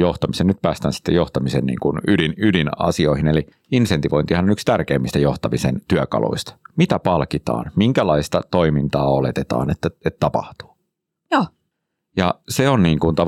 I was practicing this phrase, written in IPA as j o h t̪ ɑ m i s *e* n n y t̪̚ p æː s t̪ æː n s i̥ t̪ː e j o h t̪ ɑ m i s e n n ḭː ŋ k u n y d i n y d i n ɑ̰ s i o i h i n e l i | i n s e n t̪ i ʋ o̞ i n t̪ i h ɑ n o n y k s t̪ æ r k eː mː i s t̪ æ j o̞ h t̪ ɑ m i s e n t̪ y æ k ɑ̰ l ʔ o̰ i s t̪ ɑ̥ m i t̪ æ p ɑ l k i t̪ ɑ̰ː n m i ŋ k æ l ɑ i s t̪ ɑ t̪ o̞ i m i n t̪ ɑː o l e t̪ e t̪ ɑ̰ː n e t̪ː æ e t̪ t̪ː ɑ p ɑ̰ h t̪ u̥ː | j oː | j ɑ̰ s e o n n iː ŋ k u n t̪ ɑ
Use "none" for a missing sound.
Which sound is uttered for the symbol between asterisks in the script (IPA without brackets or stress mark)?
e